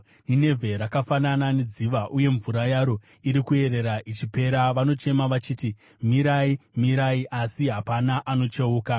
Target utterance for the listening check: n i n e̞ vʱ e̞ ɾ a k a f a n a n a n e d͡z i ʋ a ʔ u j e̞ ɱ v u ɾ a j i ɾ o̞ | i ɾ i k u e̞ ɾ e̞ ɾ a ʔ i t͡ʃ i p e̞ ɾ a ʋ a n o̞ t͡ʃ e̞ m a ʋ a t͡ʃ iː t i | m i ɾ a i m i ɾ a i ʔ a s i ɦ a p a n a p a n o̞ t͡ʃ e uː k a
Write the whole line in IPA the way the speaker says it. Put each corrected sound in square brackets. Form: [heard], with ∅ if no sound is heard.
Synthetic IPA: n i n e̞ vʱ e̞ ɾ a k a f a n a n a n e d͡z i ʋ a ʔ u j e̞ ɱ v u ɾ a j [a] ɾ o̞ | i ɾ i k u e̞ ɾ e̞ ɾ a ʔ i t͡ʃ i p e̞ ɾ a ʋ a n o̞ t͡ʃ e̞ m a ʋ a t͡ʃ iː t i | m i ɾ a i m i ɾ a i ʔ a s i ɦ a p a n a [ʔ] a n o̞ t͡ʃ e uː k a

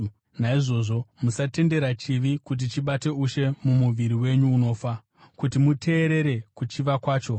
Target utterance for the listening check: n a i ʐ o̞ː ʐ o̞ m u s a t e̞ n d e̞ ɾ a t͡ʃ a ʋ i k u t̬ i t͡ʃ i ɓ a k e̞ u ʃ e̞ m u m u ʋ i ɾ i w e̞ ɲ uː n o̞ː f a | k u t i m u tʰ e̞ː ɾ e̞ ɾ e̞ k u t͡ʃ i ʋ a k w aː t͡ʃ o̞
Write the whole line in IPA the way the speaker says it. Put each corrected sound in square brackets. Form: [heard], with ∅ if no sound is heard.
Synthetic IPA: n a i ʐ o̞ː ʐ o̞ m u s a t e̞ n d e̞ ɾ a t͡ʃ [i] ʋ i k u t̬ i t͡ʃ i ɓ a [t] e̞ u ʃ e̞ m u m u ʋ i ɾ i w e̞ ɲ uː n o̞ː f a | k u t i m u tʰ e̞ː ɾ e̞ ɾ e̞ k u t͡ʃ i ʋ a k w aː t͡ʃ o̞

